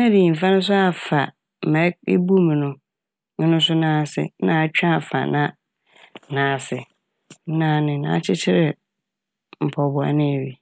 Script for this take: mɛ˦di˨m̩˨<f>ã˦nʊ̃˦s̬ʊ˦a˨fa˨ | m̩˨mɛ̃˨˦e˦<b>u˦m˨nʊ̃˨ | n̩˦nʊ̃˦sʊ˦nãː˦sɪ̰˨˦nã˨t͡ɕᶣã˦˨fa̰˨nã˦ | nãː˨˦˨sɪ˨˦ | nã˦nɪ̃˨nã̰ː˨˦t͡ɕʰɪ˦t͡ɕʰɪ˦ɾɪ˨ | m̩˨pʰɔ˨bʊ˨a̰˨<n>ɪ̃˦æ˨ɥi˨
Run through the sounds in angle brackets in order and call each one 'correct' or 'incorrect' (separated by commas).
correct, correct, correct